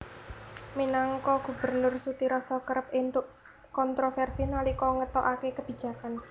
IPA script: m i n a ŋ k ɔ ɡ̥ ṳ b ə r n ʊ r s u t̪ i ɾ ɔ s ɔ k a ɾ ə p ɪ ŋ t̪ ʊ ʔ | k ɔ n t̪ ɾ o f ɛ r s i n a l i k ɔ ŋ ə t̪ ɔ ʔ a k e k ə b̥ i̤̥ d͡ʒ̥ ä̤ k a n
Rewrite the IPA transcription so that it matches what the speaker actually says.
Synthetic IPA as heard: m i n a ŋ k ɔ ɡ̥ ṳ b ə r n ʊ r s u t̪ i ɾ ɔ s ɔ k ə ɾ ə p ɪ n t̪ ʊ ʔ | k ɔ n t̪ ɾ o f ɛ r s i n a l i k ɔ ŋ ə t̪ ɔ ʔ a k e k ə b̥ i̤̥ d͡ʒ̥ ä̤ k a n

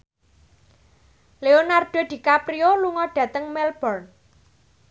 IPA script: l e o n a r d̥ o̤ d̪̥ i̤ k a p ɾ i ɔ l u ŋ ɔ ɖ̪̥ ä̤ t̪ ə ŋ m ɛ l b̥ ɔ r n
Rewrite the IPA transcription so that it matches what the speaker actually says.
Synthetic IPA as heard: l e o n a r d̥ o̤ d̪̥ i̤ k a p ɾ i o l u ŋ ɔ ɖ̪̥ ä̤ t̪ ə ŋ m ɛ l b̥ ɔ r n

